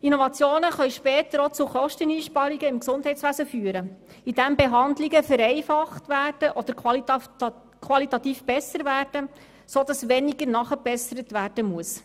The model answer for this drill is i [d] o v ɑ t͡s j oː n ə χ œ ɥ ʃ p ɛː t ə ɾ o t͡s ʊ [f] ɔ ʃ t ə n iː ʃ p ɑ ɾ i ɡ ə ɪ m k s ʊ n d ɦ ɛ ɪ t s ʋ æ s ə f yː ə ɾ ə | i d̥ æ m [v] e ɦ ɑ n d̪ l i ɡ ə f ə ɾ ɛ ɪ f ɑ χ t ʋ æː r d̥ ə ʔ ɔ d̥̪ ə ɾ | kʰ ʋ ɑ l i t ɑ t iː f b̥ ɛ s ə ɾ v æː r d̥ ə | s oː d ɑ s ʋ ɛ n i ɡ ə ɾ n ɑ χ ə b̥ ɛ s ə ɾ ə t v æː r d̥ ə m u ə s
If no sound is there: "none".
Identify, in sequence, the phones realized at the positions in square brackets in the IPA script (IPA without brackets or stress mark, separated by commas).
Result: n, χ, b